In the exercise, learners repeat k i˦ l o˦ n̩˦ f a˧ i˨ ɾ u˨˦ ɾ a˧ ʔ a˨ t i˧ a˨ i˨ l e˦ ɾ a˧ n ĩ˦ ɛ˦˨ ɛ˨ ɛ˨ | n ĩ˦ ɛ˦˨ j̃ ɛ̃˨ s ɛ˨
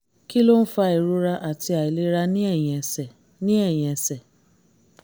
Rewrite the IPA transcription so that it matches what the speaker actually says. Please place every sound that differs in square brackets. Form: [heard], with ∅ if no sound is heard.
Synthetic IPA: k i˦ l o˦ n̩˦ f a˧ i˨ ɾ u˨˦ ɾ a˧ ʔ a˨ t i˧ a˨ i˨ l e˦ ɾ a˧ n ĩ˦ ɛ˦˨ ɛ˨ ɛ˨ | n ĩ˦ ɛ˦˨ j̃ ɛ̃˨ s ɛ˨